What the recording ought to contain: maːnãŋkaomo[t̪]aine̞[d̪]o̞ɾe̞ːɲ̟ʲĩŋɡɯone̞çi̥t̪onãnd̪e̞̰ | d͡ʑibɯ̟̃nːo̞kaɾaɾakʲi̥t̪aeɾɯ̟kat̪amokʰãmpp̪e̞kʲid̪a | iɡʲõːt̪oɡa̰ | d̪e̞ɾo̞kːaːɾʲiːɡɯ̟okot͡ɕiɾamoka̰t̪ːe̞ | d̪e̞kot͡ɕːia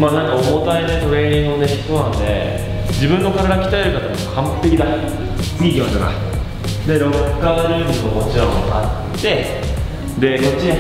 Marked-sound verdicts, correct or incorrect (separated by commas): correct, incorrect